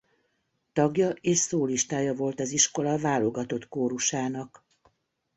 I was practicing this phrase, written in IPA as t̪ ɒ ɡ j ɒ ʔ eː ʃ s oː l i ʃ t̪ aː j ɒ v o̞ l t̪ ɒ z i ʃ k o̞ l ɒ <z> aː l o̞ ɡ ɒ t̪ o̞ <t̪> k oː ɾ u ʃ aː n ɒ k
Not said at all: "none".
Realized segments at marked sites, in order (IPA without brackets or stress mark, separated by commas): v, t̪